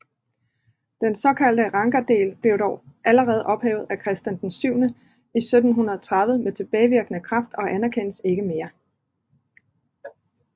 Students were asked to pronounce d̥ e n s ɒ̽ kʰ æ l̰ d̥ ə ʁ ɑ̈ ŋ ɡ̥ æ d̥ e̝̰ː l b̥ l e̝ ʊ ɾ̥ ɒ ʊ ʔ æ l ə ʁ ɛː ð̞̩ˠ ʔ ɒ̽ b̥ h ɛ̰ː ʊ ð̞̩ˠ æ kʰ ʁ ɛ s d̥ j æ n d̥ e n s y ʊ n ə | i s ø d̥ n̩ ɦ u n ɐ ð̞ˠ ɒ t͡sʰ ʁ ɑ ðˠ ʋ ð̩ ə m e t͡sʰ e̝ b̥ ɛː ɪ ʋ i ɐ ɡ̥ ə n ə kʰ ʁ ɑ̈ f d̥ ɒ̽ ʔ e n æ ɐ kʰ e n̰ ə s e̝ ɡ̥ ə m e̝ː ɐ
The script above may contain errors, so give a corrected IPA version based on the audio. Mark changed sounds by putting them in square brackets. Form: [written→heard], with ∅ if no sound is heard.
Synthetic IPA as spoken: d̥ e n s ɒ̽ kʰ æ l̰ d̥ ə ʁ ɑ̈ ŋ ɡ̥ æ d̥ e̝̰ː l b̥ l e̝ ʊ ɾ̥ ɒ ʊ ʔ æ l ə ʁ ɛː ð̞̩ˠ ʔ ɒ̽ b̥ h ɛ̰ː ʊ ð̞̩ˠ æ kʰ ʁ ɛ s d̥ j æ n d̥ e n s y ʊ n ə | i s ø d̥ n̩ ɦ u n ɐ ð̞ˠ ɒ t͡sʰ ʁ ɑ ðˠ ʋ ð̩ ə m e t͡sʰ e̝ b̥ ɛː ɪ ʋ i ɐ ɡ̥ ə n ə kʰ ʁ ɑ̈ f d̥ ɒ̽ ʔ [e→æ] n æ ɐ kʰ e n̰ ə s e̝ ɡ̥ ə m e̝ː ɐ